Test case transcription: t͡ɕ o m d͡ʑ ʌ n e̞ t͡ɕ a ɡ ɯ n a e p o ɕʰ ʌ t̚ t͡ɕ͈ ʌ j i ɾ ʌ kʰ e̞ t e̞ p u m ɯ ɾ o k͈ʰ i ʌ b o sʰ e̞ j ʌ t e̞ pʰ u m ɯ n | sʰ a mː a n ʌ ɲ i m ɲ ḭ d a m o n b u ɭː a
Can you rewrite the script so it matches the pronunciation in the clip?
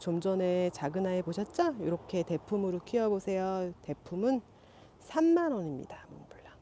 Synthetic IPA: t͡ɕ o m d͡ʑ ʌ n e̞ t͡ɕ a ɡ ɯ n a e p o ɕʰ ʌ t̚ t͡ɕ͈ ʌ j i ɾ ʌ kʰ e̞ t e̞ pʰ u m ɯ ɾ o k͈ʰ i ʌ b o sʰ e̞ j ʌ t e̞ pʰ u m ɯ n | sʰ a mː a n ʌ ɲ i m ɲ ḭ d a m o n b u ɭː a